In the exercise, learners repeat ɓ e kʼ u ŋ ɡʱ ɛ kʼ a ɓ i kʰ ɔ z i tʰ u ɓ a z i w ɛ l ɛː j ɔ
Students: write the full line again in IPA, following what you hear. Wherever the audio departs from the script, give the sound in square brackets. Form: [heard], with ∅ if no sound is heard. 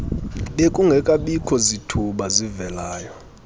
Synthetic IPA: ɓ e kʼ u ŋ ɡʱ ɛ kʼ a ɓ i kʰ ɔ z i tʰ u ɓ a z i [v] ɛ l [aː] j ɔ